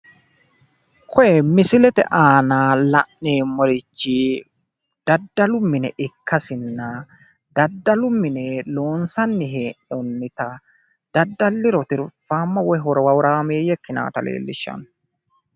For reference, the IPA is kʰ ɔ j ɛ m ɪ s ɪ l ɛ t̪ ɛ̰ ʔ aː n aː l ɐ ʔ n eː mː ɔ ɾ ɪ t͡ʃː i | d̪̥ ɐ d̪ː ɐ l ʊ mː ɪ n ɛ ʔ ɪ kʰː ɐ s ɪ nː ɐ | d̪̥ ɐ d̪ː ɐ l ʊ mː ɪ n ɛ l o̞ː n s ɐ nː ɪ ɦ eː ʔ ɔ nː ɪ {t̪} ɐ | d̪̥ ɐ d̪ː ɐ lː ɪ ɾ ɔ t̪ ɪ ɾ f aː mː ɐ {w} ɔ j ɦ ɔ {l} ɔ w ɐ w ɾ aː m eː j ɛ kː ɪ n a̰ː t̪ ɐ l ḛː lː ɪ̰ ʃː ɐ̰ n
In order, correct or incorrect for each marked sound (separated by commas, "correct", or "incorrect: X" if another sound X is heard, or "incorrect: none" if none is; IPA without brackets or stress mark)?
correct, correct, incorrect: ɾ